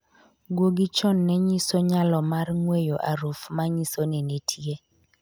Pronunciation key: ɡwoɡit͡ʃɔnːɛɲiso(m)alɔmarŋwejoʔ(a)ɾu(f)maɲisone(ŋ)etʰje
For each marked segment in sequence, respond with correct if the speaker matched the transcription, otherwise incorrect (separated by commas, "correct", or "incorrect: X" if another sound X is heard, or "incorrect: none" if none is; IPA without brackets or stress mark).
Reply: incorrect: ɲ, correct, correct, incorrect: n